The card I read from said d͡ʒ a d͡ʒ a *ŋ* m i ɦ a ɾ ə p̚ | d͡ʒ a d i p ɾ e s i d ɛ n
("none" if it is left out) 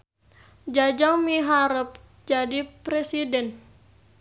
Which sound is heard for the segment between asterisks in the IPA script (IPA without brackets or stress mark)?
ŋ